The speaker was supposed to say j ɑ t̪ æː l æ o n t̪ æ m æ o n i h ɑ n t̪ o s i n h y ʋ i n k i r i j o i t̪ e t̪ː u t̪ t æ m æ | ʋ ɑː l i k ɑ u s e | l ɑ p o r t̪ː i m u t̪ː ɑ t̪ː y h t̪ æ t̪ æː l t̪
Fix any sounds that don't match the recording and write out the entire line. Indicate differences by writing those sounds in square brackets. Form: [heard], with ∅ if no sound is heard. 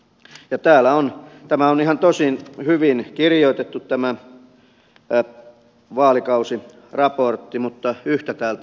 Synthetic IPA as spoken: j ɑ t̪ æː l æ o n t̪ æ m æ o n i h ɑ n t̪ o s i n h y ʋ i n k i r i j o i t̪ e t̪ː u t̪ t æ m æ | ʋ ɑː l i k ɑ u s [i] | [r] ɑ p o r t̪ː i m u t̪ː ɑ [∅] y h t̪ æ t̪ æː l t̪